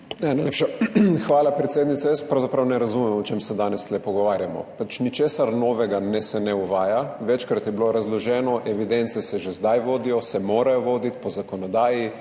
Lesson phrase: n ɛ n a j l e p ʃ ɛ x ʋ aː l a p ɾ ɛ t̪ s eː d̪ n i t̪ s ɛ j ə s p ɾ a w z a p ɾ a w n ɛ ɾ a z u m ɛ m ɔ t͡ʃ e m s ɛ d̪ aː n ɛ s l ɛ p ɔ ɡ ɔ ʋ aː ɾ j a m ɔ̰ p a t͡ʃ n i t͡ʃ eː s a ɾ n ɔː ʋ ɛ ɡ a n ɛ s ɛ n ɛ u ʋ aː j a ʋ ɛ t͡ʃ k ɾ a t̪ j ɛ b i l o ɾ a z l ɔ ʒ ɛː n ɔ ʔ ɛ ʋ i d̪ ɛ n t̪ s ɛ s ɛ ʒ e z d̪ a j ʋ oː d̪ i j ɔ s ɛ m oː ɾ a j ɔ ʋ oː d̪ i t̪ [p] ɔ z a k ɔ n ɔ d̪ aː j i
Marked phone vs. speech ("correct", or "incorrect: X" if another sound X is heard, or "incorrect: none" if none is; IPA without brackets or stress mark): correct